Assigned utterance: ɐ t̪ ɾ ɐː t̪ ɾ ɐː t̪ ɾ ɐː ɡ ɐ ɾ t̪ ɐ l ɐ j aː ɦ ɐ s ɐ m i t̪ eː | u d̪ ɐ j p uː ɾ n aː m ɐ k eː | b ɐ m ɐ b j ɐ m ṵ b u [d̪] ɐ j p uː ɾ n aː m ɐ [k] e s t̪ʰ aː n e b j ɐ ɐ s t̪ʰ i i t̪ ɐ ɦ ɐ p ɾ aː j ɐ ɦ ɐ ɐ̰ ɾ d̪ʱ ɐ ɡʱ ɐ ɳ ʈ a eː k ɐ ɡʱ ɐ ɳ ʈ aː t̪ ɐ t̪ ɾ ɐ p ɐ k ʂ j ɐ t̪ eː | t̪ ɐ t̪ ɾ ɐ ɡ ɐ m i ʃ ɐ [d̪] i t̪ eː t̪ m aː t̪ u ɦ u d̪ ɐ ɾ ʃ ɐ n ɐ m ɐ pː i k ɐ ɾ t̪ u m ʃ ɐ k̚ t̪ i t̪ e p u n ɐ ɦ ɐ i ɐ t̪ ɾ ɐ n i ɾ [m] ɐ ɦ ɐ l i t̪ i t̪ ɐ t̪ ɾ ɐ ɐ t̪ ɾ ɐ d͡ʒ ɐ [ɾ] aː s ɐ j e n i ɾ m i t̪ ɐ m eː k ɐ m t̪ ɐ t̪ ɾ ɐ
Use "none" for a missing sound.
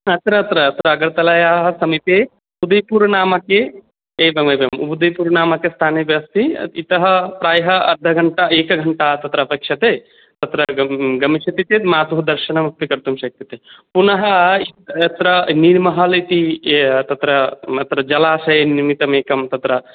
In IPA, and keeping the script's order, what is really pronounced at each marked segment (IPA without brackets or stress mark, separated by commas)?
d̪, k, t̪, m, l